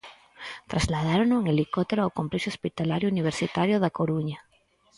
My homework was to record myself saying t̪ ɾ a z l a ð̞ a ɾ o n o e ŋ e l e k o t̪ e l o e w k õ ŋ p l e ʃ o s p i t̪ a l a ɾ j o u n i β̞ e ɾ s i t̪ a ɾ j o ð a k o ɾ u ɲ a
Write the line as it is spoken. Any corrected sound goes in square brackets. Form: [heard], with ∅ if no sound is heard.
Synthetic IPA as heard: t̪ ɾ a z l a ð̞ a ɾ o n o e ŋ e l [i] k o t̪ e [ɾ] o [a] w k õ [m] p l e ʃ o s p i t̪ a l a ɾ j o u n i β̞ e ɾ s i t̪ a ɾ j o ð a k o ɾ u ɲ a

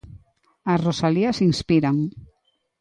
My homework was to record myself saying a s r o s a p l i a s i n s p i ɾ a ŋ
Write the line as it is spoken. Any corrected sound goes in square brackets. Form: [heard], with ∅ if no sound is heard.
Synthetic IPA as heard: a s r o s a [∅] l i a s i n s p i ɾ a ŋ

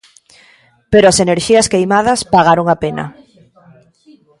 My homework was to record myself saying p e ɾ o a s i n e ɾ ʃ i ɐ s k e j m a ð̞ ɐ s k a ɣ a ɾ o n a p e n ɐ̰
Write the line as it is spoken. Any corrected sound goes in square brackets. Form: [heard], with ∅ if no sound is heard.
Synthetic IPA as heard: p e ɾ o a s [e] n e ɾ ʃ i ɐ s k e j m a ð̞ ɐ s [p] a ɣ a ɾ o [ŋ] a p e n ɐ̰

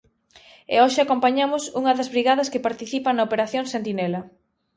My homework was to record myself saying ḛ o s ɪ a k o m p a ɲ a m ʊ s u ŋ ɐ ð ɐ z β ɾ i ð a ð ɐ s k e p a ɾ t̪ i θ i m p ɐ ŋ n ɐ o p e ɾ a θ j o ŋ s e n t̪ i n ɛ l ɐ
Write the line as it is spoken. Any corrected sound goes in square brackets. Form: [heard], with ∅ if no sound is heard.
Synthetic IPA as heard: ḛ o [ʃ] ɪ a k o m p a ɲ a m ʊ s u ŋ ɐ ð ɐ z β ɾ i [ɣ] a ð ɐ s k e p a ɾ t̪ i θ i [∅] p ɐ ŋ n ɐ o p e ɾ a θ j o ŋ s e n t̪ i n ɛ l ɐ

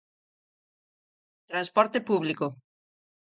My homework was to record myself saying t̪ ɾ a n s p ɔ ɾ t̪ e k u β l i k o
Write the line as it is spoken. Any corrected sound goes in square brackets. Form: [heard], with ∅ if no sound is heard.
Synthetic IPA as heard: t̪ ɾ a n s p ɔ ɾ t̪ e [p] u β l i k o

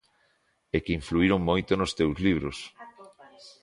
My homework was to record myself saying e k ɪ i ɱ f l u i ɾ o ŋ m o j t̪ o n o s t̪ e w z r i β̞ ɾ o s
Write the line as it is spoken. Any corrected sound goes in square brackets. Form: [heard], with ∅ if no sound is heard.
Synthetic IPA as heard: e k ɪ i ɱ f l u i ɾ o ŋ m o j t̪ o n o s t̪ e w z [l] i β̞ ɾ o s

